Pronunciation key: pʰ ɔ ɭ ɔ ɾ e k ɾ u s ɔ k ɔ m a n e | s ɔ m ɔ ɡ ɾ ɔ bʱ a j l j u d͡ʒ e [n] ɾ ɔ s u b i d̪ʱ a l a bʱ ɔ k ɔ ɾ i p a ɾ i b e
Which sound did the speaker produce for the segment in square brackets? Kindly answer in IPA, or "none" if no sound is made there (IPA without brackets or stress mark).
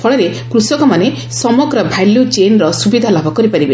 n